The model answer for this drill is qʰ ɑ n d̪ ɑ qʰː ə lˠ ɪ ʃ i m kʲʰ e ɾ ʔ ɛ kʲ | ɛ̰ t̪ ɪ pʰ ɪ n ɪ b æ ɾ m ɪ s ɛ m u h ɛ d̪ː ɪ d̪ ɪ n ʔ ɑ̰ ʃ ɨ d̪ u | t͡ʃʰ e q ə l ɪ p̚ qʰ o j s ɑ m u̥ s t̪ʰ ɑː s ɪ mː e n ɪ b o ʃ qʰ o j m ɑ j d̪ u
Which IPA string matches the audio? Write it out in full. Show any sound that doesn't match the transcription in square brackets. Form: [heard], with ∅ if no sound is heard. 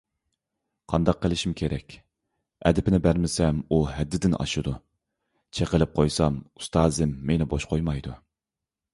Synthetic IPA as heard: qʰ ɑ n d̪ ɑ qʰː ə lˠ ɪ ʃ i m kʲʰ e ɾ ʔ ɛ kʲ | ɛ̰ [d̪] ɪ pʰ ɪ n ɪ b æ ɾ m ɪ s ɛ m u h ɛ d̪ː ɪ d̪ ɪ n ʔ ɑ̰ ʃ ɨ d̪ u | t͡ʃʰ e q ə l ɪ p̚ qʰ o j s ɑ m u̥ s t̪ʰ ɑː [z] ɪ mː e n ɪ b o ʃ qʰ o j m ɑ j d̪ u